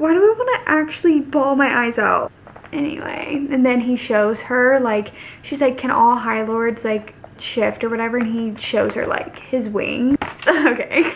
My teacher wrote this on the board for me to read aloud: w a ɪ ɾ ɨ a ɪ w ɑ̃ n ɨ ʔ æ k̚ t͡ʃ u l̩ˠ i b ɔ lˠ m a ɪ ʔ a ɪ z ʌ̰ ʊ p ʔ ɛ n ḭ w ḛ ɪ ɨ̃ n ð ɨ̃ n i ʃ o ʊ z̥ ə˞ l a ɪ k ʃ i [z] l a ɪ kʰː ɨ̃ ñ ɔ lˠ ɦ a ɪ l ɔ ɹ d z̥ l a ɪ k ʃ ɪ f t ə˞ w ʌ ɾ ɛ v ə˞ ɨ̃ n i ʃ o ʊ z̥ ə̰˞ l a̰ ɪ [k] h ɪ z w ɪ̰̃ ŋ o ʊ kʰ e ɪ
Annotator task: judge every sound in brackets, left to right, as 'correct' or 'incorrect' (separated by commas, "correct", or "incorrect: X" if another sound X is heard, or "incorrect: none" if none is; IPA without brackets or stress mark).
correct, correct